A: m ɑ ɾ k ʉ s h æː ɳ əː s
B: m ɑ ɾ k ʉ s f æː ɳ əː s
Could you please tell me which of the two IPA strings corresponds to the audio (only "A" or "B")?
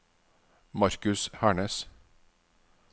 A